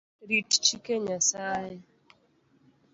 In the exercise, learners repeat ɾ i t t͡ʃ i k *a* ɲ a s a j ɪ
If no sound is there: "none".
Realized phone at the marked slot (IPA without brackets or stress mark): e